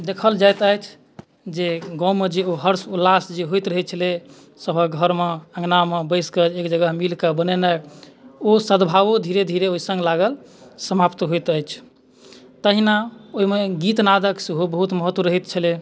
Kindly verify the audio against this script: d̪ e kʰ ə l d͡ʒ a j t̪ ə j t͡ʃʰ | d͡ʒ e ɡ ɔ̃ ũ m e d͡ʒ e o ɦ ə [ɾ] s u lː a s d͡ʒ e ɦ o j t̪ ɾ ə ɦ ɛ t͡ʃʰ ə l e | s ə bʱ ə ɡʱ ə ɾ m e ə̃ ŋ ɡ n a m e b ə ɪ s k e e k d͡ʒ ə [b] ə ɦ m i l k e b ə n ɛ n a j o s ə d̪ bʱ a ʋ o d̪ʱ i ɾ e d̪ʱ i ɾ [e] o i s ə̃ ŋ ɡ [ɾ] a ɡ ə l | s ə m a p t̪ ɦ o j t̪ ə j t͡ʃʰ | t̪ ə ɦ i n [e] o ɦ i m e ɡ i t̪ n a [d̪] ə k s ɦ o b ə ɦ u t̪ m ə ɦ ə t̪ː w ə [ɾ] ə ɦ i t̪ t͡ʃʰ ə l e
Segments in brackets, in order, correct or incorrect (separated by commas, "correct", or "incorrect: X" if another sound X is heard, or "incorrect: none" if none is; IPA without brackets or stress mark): correct, incorrect: ɡ, correct, incorrect: l, incorrect: a, correct, correct